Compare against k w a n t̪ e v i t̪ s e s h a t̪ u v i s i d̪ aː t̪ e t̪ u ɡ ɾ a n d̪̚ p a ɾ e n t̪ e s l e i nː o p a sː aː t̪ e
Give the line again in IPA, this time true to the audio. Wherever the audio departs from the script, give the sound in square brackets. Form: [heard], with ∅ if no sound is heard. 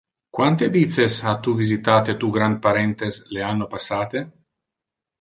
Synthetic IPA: k w a n t̪ e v i t̪ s e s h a t̪ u v i [z] i [t̪] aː t̪ e t̪ u ɡ ɾ a n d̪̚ p a ɾ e n t̪ e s l e [a] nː o p a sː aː t̪ e